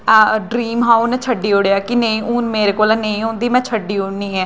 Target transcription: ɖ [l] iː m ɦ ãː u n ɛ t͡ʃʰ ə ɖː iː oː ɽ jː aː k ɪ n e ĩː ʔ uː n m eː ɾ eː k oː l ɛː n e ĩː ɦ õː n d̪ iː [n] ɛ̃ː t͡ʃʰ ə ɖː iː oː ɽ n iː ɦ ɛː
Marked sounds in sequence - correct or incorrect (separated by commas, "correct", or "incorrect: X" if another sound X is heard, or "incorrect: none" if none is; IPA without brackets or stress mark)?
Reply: incorrect: ɾ, incorrect: m